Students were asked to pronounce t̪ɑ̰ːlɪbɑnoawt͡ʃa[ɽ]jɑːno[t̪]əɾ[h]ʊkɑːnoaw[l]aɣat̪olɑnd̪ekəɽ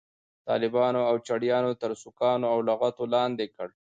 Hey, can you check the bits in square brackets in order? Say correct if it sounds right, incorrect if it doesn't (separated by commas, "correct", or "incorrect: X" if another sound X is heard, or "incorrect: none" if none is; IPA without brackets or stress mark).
correct, correct, incorrect: s, correct